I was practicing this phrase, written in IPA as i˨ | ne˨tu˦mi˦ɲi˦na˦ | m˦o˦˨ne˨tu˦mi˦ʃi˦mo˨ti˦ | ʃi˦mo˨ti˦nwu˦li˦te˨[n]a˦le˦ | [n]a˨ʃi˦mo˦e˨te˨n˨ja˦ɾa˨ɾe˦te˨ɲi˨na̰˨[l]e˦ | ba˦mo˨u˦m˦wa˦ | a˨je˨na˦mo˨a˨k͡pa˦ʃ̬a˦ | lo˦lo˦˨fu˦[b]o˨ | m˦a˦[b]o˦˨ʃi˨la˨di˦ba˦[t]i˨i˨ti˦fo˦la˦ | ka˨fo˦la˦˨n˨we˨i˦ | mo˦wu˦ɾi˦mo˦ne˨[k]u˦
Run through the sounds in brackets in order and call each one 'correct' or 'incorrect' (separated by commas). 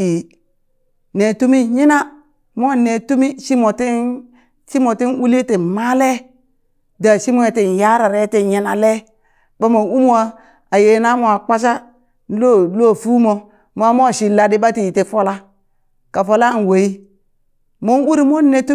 incorrect, incorrect, correct, incorrect, incorrect, correct, incorrect